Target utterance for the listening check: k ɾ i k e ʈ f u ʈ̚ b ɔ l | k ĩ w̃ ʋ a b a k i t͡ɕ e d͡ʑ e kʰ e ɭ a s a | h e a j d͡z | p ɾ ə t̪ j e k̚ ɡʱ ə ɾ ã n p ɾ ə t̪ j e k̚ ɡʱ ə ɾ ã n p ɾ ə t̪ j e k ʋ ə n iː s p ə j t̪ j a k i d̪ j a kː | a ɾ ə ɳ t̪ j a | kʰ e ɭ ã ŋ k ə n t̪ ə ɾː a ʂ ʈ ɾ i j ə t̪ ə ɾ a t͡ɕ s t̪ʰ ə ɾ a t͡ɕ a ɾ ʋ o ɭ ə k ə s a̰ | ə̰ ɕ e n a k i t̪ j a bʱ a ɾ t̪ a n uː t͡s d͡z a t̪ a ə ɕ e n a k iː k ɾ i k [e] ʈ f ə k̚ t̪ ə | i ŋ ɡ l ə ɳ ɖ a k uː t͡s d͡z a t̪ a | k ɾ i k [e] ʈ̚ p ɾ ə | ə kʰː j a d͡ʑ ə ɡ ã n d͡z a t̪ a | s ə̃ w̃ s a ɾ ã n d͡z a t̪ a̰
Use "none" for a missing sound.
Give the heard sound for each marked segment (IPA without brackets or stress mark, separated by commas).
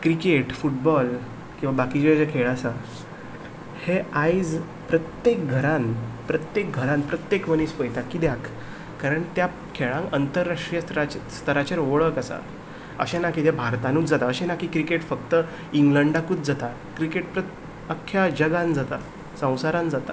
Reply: e, e